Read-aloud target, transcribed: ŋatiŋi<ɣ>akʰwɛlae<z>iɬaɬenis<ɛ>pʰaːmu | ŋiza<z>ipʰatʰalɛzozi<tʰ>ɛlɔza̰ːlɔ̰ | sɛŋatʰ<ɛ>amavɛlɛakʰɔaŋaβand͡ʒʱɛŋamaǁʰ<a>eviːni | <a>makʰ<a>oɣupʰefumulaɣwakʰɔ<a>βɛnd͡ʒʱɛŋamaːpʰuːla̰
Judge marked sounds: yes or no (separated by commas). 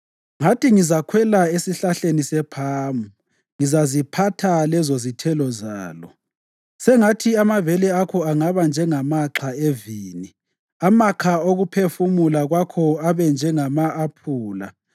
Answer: no, no, yes, yes, yes, no, yes, yes, yes, yes